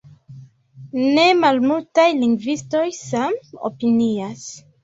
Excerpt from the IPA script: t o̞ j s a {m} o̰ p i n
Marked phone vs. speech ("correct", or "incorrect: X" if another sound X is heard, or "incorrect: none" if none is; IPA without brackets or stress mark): correct